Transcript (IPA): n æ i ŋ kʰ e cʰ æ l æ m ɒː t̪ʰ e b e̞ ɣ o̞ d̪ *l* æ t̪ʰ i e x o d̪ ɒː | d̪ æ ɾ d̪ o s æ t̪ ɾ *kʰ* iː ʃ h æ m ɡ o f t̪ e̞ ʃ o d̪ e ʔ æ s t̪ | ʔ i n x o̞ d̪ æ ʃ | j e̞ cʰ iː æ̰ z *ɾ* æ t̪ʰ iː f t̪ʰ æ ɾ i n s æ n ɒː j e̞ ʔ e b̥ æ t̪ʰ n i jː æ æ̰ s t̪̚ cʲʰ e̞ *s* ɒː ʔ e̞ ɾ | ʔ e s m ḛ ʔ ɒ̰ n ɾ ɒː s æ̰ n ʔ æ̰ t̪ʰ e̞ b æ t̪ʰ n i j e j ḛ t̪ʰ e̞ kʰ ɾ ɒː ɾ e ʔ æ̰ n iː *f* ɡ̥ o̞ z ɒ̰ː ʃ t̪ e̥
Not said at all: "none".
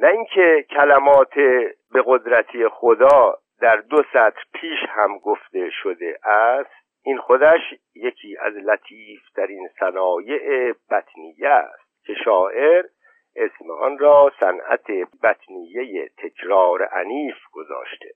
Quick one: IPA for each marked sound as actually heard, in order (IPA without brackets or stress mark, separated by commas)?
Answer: ɾ, pʰ, l, ʃ, f